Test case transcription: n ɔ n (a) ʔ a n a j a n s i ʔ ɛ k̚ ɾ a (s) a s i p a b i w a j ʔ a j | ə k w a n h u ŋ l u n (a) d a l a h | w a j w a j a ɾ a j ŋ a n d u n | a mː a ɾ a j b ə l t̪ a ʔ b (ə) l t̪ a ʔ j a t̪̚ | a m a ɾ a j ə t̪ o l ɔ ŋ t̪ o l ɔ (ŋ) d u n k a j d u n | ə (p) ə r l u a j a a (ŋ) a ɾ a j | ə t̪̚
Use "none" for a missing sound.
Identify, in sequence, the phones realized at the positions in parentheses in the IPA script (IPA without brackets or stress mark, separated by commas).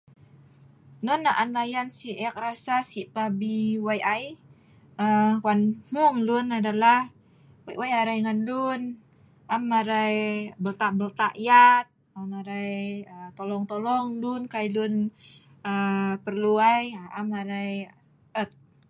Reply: a, s, a, ə, ŋ, p, m